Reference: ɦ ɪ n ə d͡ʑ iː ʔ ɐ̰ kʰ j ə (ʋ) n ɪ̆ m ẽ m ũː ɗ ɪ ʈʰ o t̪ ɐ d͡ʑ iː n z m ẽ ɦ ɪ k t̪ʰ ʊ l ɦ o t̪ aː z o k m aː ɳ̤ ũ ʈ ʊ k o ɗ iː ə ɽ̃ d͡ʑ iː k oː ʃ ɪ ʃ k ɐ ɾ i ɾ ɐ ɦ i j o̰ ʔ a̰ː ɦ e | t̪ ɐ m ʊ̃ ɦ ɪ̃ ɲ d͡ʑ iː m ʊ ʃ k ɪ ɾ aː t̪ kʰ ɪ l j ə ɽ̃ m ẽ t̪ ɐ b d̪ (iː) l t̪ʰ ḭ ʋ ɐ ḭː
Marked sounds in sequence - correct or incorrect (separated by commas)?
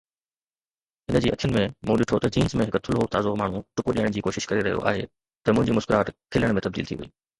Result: incorrect, correct